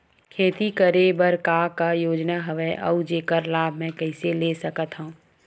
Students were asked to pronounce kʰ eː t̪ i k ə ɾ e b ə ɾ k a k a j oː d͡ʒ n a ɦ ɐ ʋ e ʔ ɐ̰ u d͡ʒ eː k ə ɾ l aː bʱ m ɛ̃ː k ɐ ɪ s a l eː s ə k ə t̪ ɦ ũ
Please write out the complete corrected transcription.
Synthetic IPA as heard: kʰ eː t̪ i k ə ɾ e b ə ɾ k a k a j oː d͡ʒ n a ɦ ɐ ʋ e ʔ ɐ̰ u d͡ʒ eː k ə ɾ l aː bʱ m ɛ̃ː k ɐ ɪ s e l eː s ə k ə t̪ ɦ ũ

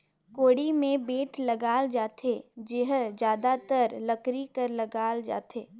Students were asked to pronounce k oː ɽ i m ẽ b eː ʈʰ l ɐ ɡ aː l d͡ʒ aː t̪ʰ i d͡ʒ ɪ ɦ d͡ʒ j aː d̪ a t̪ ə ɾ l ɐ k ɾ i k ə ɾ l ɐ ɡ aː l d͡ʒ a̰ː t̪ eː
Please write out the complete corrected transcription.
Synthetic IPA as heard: k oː ɽ i m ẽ b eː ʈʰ l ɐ ɡ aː l d͡ʒ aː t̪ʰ e d͡ʒ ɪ ɦ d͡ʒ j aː d̪ a t̪ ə ɾ l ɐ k ɾ i k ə ɾ l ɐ ɡ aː l d͡ʒ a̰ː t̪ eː

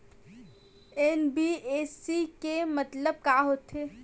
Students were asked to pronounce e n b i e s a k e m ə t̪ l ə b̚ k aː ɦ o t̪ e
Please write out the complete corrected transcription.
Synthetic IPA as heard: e n b i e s i k e m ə t̪ l ə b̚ k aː ɦ o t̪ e

